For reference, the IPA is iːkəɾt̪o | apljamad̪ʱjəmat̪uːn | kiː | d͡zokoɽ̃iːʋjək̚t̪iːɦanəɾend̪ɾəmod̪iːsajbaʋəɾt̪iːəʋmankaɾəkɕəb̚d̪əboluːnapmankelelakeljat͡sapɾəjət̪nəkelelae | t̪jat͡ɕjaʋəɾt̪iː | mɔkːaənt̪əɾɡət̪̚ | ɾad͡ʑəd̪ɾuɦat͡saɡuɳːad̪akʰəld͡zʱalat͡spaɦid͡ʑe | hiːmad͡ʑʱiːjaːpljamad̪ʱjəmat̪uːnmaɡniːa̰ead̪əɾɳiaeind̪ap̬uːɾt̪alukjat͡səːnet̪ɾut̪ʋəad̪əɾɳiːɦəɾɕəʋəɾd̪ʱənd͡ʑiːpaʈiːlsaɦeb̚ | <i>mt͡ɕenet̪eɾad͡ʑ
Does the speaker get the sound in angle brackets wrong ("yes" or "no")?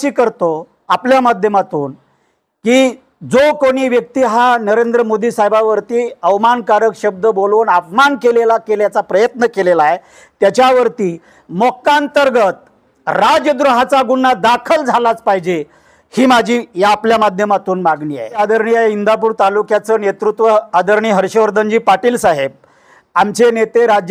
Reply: yes